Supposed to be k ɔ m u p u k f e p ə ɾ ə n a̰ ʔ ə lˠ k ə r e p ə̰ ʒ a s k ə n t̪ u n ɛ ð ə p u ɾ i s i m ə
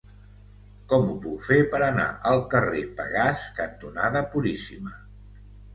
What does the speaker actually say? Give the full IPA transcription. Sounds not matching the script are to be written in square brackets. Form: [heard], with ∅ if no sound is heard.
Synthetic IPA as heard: k ɔ m u p u k f e p ə ɾ ə n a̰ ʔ ə lˠ k ə r e p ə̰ [ɣ] a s k ə n t̪ u n [a] ð ə p u ɾ i s i m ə